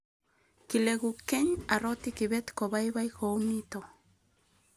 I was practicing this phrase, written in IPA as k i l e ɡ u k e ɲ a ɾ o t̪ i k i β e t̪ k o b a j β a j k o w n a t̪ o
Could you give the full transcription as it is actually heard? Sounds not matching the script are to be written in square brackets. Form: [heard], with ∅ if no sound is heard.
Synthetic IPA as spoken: k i l e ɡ u k e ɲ a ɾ o t̪ i k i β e t̪ k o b a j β a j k o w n [i] t̪ o